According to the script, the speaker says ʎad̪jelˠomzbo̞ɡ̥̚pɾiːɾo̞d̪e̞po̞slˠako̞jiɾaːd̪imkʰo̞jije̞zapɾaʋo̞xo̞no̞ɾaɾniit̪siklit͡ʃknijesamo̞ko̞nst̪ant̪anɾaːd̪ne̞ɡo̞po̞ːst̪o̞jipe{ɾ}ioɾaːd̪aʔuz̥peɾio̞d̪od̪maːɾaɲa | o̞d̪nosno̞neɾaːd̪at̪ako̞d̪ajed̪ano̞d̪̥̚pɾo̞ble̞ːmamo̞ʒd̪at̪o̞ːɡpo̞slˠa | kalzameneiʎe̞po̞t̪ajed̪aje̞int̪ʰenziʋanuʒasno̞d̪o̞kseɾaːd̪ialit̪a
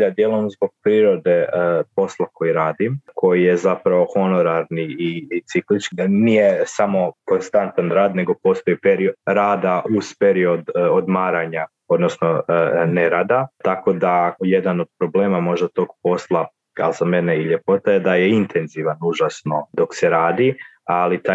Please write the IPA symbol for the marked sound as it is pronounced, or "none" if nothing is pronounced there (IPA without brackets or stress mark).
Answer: ɾ